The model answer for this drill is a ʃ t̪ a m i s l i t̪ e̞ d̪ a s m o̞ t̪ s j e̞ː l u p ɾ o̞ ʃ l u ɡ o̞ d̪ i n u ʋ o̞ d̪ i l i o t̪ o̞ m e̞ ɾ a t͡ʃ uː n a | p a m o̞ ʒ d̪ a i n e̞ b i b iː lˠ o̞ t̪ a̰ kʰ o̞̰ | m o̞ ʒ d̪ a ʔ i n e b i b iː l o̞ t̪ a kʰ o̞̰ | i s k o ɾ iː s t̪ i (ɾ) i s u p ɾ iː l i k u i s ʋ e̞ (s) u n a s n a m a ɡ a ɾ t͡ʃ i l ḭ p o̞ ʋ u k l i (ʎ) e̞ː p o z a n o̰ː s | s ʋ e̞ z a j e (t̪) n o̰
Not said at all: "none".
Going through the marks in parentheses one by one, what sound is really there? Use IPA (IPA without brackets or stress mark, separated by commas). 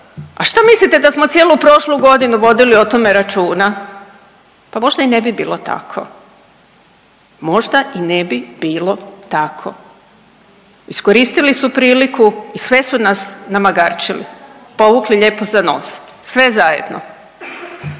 l, s, ʎ, d̪